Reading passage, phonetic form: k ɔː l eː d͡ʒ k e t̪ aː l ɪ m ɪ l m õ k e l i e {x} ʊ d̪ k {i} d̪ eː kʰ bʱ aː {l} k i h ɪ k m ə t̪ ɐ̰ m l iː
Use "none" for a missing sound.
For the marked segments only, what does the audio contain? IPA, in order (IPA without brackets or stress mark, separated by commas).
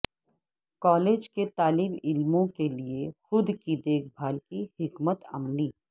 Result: x, i, l